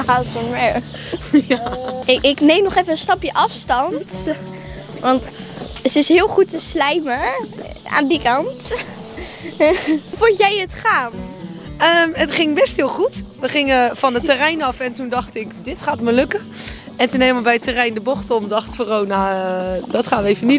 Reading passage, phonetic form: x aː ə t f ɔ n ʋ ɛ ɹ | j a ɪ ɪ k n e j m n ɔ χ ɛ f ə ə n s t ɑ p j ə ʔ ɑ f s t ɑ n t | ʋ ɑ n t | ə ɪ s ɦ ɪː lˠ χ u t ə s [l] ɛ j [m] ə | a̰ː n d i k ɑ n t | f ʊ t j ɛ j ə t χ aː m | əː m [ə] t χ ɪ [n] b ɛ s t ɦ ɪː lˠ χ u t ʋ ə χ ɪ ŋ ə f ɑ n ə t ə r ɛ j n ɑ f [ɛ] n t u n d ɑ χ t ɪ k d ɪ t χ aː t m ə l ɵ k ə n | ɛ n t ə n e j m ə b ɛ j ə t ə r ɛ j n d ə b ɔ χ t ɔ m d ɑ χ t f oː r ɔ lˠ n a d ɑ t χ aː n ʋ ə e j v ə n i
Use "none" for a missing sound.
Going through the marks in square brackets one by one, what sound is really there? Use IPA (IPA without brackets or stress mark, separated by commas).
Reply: l, m, ə, ŋ, ɛ